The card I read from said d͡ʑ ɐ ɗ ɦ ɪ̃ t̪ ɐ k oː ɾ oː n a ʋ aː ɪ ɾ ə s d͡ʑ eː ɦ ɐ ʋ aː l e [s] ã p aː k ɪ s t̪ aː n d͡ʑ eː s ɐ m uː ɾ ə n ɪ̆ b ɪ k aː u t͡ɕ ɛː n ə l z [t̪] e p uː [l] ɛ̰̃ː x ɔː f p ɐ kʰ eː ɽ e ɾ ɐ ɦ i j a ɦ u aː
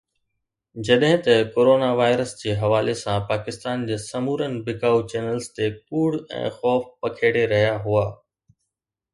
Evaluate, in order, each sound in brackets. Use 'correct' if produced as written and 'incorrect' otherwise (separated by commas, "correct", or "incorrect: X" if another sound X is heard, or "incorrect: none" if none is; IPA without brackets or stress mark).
correct, correct, incorrect: ɽ